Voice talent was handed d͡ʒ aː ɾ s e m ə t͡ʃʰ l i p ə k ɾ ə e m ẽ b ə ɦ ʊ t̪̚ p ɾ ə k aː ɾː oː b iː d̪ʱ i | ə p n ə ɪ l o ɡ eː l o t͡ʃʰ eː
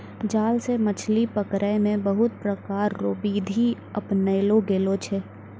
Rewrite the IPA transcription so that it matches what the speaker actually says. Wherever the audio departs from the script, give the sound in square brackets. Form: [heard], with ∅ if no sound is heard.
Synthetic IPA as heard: d͡ʒ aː [l] s e m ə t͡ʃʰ l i p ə k ɾ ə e m ẽ b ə ɦ ʊ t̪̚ p ɾ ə k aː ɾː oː b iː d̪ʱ i | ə p n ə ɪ l o ɡ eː l o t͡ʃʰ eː